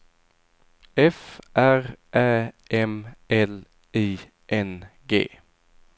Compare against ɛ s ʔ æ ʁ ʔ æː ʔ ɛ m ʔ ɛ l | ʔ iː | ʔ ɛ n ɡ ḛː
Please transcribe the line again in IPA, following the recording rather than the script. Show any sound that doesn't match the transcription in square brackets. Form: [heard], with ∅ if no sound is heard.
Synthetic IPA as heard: ɛ [f] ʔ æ ʁ ʔ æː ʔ ɛ m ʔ ɛ l | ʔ iː | ʔ ɛ n ɡ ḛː